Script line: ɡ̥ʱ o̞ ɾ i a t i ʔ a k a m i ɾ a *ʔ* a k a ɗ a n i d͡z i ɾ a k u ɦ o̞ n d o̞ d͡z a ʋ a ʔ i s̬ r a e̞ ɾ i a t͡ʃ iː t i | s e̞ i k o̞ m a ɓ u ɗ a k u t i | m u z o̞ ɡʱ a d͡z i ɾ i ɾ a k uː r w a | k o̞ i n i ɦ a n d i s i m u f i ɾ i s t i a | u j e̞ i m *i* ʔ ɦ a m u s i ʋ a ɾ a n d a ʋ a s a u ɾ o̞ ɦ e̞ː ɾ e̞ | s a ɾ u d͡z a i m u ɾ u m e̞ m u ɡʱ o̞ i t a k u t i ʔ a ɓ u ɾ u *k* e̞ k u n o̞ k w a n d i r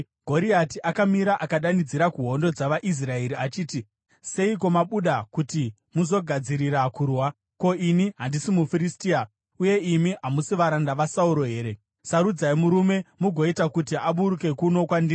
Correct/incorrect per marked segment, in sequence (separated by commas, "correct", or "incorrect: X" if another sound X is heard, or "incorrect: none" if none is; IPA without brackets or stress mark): correct, correct, correct